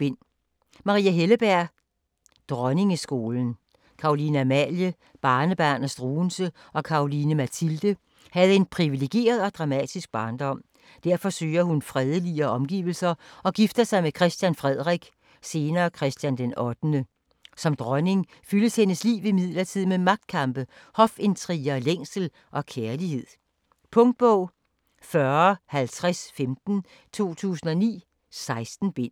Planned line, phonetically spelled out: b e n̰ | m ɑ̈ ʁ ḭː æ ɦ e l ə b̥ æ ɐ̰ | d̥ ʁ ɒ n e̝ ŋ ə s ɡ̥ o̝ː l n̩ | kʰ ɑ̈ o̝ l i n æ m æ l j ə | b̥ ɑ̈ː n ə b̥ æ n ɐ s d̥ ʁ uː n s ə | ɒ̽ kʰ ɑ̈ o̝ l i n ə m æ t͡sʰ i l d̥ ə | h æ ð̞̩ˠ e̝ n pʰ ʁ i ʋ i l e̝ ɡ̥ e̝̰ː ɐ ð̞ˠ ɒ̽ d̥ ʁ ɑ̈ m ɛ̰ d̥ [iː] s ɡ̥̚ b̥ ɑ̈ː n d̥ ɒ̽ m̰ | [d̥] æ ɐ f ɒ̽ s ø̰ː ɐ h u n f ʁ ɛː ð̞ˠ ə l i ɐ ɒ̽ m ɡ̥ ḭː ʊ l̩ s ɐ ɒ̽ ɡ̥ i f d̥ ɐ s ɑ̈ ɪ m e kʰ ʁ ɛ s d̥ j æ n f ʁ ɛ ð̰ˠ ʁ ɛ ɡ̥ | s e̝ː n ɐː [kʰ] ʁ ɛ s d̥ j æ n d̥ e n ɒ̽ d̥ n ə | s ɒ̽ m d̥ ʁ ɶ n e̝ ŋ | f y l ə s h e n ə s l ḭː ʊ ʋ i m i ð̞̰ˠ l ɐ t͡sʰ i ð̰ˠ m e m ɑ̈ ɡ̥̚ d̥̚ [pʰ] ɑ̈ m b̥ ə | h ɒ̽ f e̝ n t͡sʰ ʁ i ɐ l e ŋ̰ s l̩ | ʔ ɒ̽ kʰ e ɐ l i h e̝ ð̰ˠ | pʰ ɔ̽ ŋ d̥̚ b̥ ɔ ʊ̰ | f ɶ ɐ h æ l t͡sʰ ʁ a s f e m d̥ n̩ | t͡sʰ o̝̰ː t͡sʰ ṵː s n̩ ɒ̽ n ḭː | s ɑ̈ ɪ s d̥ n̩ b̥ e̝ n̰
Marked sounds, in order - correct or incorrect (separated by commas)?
incorrect, correct, correct, incorrect